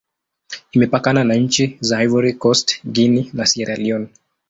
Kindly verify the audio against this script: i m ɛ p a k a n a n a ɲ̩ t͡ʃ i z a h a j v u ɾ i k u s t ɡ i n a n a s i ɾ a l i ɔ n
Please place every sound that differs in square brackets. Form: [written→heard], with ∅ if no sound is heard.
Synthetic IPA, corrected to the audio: i m ɛ p a k a n a n a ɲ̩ t͡ʃ i z a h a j v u ɾ i k [u→ɔ] s t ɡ i n [a→i] n a s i ɾ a l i ɔ n